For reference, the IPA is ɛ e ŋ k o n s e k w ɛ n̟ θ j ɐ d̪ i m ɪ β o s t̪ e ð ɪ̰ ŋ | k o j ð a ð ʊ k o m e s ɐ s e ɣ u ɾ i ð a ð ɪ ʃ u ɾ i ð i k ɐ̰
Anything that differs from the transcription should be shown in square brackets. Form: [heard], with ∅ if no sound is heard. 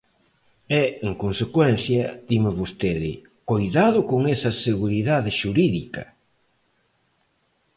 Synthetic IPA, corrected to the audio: ɛ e ŋ k o n s e k w ɛ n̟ θ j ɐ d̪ i m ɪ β o s t̪ e ð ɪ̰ [∅] | k o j ð a ð ʊ k o [ŋ] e s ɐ s e ɣ u ɾ i ð a ð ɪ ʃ u ɾ i ð i k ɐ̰